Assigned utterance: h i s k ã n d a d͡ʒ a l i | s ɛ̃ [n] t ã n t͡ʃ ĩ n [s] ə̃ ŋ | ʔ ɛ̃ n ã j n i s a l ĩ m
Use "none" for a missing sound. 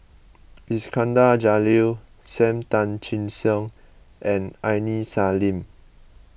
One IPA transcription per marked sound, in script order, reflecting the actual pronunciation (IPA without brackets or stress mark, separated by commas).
m, s